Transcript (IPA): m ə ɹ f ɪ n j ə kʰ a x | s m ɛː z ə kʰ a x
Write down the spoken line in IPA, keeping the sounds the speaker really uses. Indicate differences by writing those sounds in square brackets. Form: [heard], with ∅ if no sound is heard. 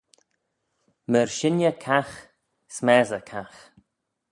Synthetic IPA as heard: m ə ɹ [ʃ] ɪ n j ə kʰ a x | s m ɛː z ə kʰ a x